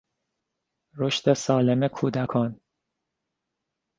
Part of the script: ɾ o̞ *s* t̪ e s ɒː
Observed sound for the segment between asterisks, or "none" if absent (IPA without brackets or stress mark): ʃ